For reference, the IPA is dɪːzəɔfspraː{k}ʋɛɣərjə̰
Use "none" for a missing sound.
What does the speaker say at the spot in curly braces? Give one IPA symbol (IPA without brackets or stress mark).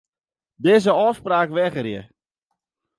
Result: k